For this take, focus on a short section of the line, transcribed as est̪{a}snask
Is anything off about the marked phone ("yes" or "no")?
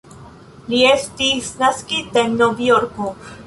yes